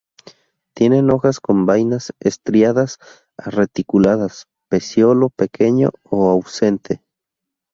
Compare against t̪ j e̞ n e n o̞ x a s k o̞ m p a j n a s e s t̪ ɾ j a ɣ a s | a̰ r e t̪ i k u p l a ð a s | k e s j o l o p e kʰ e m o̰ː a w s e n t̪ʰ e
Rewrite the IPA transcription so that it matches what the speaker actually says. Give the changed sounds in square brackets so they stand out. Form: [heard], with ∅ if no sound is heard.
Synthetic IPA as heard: t̪ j e̞ n e n o̞ x a s k o̞ m [b] a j n a s e s t̪ ɾ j a [ð] a s | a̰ r e t̪ i k u [∅] l a ð a s | [p] e s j o l o p e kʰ e [ɲ] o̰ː a w s e n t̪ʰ e